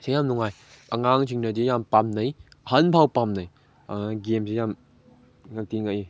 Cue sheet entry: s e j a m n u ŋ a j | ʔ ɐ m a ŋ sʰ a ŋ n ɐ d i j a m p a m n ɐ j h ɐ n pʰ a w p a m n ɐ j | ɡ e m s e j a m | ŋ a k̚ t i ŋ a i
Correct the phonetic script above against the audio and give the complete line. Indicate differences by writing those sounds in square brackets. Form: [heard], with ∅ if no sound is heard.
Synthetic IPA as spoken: s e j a m n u ŋ a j | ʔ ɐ [ŋ] a ŋ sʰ [i] ŋ n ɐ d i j a m p a m n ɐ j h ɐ n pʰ a w p a m n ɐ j | ɡ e m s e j a m | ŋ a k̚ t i ŋ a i